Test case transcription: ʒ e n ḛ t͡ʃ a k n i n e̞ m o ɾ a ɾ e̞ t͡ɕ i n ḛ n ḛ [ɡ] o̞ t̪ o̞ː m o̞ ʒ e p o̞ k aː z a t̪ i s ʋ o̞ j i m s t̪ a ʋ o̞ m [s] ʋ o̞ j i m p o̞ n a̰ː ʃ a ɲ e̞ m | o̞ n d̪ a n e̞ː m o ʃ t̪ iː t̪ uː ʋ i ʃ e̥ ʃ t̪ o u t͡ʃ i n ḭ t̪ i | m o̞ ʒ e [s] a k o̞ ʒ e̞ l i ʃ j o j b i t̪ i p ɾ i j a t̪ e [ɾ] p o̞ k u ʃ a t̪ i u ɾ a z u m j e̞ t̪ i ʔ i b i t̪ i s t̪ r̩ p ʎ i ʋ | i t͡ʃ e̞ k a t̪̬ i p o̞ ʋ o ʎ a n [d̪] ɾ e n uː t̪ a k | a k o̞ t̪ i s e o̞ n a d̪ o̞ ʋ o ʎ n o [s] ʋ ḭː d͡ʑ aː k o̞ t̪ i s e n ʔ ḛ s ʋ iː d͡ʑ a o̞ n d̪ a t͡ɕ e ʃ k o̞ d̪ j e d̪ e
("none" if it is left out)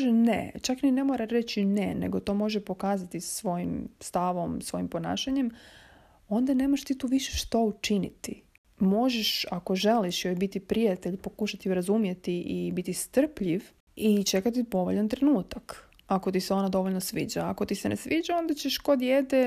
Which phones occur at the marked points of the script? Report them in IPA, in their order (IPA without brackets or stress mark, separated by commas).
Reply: ɡ, s, ʃ, ʎ, t̪, s